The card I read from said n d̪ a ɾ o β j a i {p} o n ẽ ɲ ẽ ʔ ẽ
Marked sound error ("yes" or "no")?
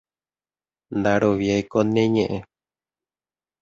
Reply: yes